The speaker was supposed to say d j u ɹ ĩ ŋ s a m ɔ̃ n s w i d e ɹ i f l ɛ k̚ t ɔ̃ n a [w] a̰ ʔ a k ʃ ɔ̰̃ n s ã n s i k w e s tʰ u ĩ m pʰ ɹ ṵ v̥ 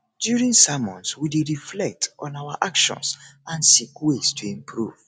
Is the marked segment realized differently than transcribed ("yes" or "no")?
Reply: no